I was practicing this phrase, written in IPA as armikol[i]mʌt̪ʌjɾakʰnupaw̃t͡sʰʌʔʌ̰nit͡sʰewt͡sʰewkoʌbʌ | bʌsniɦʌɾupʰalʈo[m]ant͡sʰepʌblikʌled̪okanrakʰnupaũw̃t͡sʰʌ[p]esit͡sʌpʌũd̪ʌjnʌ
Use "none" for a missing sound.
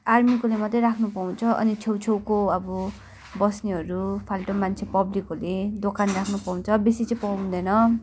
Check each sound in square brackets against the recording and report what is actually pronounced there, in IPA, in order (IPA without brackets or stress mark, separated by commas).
e, m, b